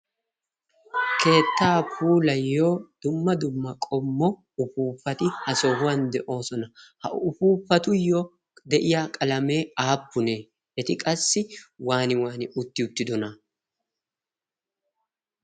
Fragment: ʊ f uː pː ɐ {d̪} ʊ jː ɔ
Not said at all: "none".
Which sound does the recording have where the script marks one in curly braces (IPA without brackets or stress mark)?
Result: t̪